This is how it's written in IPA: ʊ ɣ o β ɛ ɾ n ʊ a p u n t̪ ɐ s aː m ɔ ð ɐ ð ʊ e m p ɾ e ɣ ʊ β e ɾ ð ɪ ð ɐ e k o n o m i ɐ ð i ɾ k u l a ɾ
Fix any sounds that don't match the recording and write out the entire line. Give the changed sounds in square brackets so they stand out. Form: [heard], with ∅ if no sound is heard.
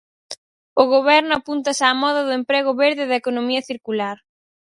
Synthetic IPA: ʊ ɣ o β ɛ ɾ n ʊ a p u n t̪ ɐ s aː m ɔ ð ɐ ð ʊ e m p ɾ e ɣ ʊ β e ɾ ð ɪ ð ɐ e k o n o m i ɐ [θ] i ɾ k u l a ɾ